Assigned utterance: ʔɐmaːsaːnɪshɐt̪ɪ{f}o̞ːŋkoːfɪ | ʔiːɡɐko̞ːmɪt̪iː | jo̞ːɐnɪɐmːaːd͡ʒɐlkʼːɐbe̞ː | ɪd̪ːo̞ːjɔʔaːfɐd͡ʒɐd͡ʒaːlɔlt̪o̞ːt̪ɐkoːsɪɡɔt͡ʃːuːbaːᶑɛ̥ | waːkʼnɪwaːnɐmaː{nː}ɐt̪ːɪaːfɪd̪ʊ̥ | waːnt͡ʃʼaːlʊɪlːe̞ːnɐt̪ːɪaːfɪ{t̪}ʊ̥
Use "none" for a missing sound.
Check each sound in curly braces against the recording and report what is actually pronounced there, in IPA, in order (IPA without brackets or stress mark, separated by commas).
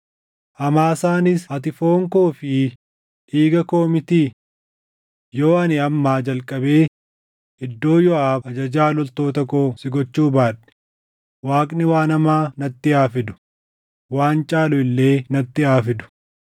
f, n, d̪